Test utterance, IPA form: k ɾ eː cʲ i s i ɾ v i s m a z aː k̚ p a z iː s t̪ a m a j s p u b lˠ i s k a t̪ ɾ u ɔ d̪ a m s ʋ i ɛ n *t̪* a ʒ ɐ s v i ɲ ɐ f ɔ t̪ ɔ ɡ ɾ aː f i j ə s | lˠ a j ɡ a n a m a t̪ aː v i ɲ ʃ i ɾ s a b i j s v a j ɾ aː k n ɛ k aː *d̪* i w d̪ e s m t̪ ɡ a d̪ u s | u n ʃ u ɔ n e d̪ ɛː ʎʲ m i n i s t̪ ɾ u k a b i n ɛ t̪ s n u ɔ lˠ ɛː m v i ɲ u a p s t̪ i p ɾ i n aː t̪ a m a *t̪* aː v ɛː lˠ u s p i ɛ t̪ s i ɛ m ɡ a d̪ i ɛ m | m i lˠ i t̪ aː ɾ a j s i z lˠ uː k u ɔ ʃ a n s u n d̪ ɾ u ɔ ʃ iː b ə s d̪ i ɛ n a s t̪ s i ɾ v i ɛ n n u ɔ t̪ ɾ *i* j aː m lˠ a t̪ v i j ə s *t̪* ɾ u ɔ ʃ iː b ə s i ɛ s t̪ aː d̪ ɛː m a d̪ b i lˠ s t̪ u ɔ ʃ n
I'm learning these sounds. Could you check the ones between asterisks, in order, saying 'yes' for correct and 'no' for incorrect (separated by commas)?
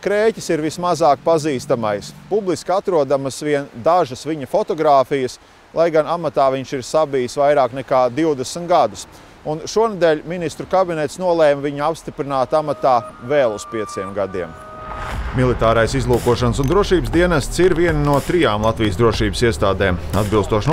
no, yes, yes, yes, no